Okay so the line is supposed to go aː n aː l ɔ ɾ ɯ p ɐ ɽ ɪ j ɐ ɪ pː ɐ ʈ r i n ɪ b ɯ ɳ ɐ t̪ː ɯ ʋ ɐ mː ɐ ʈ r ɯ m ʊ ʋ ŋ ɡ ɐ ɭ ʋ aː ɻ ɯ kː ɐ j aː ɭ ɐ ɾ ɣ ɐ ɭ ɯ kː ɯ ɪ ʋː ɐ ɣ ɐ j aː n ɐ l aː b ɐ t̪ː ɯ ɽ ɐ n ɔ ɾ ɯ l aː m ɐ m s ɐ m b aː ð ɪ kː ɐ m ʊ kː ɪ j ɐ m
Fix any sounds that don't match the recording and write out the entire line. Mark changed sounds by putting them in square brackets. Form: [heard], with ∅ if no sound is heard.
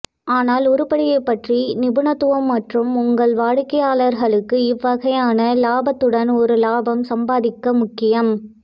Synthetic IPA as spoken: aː n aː l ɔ ɾ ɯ p ɐ ɽ ɪ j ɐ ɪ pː ɐ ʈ r i n ɪ b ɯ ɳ ɐ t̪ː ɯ ʋ ɐ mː ɐ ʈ r ɯ m ʊ [∅] ŋ ɡ ɐ ɭ ʋ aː ɻ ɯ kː ɐ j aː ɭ ɐ ɾ ɣ ɐ ɭ ɯ kː ɯ ɪ ʋː ɐ ɣ ɐ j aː n ɐ l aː b ɐ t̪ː ɯ ɽ ɐ n ɔ ɾ ɯ l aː [b] ɐ m s ɐ m b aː ð ɪ kː ɐ m ʊ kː ɪ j ɐ m